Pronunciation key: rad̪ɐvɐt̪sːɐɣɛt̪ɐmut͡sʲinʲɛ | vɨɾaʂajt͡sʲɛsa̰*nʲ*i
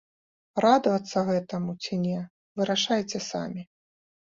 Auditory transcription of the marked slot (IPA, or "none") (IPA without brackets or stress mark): mʲ